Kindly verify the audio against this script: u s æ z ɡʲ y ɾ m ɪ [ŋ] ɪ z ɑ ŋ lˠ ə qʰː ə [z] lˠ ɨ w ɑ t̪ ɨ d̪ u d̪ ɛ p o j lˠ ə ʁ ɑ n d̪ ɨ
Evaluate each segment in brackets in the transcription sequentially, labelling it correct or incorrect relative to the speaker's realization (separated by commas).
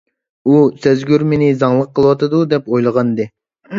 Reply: incorrect, incorrect